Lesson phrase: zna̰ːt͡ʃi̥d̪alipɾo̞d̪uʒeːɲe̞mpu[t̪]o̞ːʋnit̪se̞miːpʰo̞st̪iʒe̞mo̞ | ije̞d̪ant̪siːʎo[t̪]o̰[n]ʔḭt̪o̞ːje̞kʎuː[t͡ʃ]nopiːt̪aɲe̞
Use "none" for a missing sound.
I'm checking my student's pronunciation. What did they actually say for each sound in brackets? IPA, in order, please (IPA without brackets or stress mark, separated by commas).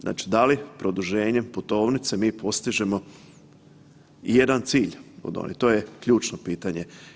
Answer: t̪, d̪, n, t͡ʃ